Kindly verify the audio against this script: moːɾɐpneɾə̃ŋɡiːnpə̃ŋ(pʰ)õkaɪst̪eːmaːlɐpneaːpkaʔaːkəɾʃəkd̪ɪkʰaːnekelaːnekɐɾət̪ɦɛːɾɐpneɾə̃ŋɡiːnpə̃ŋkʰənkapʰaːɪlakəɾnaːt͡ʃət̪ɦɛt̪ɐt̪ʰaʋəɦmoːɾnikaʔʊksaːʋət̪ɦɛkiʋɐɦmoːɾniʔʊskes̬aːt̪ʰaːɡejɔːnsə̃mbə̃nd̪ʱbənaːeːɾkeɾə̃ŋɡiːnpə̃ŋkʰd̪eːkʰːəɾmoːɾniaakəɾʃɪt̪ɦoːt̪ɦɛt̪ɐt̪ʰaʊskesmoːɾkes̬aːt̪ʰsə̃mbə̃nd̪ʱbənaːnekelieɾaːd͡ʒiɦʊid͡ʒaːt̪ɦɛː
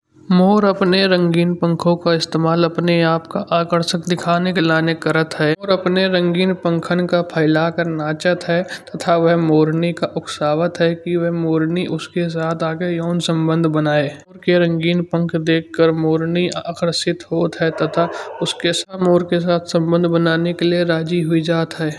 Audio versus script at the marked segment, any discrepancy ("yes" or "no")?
yes